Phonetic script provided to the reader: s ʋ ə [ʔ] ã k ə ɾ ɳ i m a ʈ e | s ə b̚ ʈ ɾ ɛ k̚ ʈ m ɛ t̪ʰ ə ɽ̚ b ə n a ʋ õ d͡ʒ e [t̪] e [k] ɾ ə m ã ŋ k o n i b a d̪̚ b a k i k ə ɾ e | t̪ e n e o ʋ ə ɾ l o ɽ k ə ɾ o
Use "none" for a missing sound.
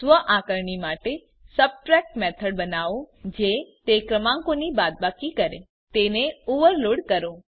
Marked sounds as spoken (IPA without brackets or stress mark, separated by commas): ʔ, t̪, k